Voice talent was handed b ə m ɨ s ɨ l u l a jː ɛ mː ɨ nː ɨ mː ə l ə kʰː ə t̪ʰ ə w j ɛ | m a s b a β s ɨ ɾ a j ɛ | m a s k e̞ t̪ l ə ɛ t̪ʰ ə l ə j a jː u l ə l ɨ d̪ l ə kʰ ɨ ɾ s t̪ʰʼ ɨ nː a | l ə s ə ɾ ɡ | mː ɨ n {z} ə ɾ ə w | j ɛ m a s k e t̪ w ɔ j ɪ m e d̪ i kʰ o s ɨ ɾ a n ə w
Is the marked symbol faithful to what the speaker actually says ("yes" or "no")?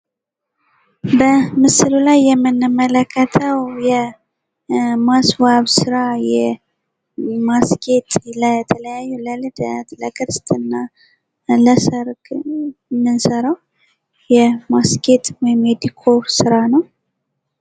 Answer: no